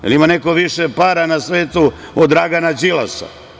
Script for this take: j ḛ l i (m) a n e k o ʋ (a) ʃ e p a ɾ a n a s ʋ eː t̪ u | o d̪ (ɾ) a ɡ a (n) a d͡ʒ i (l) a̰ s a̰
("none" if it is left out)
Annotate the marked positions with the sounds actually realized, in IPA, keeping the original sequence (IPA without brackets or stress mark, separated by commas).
m, i, ɾ, n, l